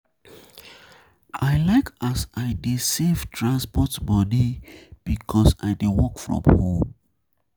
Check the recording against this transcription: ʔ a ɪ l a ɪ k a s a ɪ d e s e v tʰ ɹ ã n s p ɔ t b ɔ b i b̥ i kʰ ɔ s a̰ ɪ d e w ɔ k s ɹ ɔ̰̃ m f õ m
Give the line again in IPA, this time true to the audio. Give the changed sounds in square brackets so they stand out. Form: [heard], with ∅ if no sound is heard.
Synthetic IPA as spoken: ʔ a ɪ l a ɪ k a s a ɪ d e s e v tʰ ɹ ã n s p ɔ t b ɔ [d] i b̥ i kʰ ɔ s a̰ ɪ d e w ɔ k [f] ɹ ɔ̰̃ m [h] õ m